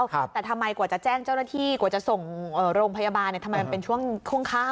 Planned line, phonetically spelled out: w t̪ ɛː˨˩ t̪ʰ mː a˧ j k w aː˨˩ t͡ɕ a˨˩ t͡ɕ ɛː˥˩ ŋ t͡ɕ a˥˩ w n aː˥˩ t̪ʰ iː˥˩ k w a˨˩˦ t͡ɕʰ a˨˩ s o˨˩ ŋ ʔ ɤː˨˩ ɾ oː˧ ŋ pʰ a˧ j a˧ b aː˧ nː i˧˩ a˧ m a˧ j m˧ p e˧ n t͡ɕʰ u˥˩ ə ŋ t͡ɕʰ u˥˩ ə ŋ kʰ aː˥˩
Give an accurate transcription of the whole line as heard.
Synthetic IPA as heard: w t̪ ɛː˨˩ t̪ʰ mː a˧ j k w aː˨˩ t͡ɕ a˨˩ t͡ɕ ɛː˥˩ ŋ t͡ɕ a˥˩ w n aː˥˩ t̪ʰ iː˥˩ k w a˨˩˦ t͡ɕ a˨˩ s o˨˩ ŋ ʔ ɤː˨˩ ɾ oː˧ ŋ pʰ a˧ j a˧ b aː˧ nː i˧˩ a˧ m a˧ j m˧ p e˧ n t͡ɕʰ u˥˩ ə ŋ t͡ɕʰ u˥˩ ə ŋ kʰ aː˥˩

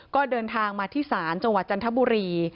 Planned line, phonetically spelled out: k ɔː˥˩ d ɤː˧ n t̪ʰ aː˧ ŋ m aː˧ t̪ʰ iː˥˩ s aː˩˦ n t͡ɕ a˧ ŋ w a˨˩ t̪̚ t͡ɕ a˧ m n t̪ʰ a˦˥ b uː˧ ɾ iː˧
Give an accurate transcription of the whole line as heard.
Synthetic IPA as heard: k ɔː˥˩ d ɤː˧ n t̪ʰ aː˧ ŋ m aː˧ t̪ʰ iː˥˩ s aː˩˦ n t͡ɕ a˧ ŋ w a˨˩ t̪̚ t͡ɕ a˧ n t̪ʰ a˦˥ b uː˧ ɾ iː˧

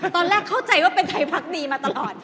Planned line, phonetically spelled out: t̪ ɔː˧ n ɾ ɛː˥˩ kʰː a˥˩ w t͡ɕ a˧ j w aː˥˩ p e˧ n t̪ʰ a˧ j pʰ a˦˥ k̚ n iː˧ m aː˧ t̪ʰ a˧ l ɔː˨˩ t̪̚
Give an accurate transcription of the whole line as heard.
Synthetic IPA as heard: t̪ ɔː˧ n ɾ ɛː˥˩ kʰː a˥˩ w t͡ɕ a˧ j w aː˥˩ p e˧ n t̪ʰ a˧ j pʰ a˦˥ k̚ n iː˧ m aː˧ t̪ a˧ l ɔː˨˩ t̪̚

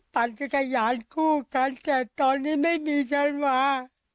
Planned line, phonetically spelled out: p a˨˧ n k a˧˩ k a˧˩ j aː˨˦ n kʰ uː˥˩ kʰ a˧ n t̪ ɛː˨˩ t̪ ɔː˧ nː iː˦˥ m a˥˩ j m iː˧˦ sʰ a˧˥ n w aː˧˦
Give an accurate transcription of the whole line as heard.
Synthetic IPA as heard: p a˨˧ n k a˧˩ k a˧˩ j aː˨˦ n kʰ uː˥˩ k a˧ n t̪ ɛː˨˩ t̪ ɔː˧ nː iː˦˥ m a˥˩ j m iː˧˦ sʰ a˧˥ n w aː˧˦

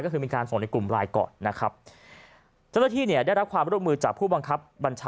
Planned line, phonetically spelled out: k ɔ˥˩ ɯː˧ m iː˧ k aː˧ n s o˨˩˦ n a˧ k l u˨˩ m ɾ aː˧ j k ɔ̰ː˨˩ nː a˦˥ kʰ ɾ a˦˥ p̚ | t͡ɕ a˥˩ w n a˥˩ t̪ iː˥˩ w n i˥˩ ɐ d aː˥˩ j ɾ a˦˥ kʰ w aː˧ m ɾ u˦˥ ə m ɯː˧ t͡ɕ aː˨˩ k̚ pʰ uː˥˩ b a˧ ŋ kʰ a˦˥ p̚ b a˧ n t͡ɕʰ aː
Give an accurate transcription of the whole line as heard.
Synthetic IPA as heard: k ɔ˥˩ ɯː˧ m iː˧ k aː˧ n s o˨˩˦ n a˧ k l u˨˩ m ɾ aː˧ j k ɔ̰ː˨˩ nː a˦˥ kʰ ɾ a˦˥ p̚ | t͡ɕ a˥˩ w n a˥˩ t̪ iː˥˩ n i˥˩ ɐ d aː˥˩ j ɾ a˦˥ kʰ w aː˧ m ɾ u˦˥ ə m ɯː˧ t͡ɕ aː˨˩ k̚ pʰ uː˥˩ b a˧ ŋ kʰ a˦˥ p̚ b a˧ n t͡ɕʰ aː

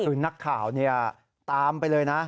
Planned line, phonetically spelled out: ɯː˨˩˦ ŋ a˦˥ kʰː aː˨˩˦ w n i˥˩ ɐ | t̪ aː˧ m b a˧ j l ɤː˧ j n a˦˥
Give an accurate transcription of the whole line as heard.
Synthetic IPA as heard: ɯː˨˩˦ n a˦˥ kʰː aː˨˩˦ w n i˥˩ ɐ | t̪ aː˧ m p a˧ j l ɤː˧ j n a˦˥

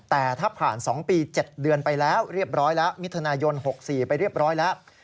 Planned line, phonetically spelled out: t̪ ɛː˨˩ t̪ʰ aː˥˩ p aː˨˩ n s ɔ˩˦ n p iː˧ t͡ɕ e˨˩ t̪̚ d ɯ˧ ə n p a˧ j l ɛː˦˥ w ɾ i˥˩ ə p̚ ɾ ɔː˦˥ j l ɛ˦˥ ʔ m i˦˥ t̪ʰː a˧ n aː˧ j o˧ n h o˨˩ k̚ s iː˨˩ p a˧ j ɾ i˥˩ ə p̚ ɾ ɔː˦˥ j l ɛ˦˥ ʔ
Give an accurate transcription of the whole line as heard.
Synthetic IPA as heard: t̪ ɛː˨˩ t̪ʰ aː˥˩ pʰ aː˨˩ n s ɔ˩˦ ŋ p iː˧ t͡ɕ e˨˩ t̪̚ d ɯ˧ ə n p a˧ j l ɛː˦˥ w ɾ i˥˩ ə p̚ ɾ ɔː˦˥ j l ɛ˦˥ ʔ m i˦˥ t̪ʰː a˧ n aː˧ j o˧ n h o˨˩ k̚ s iː˨˩ p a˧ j ɾ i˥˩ ə p̚ ɾ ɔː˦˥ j l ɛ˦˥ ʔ

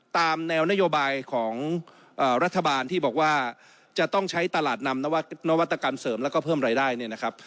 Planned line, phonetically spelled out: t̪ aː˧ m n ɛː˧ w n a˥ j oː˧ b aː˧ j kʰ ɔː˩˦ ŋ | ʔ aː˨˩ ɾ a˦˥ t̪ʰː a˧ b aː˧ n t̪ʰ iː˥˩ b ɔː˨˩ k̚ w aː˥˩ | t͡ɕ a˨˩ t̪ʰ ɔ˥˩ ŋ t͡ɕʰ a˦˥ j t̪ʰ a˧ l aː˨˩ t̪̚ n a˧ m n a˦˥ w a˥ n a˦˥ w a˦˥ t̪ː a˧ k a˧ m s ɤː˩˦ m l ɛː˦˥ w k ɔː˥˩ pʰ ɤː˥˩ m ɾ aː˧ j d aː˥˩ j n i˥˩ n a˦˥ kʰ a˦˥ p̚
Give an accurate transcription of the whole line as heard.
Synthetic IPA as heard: t̪ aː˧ m n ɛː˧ w n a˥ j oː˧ b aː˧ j kʰ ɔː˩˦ ŋ | ʔ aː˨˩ ɾ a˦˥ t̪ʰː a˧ b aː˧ n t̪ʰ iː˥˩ b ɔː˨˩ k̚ w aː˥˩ | t͡ɕ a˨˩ t̪ ɔ˥˩ ŋ t͡ɕʰ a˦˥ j t̪ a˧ l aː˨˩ t̪̚ n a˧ m n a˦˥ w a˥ n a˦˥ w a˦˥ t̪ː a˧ k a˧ m s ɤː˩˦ m l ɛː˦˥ w k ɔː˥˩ pʰ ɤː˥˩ m ɾ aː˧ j d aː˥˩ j n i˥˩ n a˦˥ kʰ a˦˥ p̚

